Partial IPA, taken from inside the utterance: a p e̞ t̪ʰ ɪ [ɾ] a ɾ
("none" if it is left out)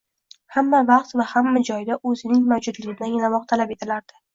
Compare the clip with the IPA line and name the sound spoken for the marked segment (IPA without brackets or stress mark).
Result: l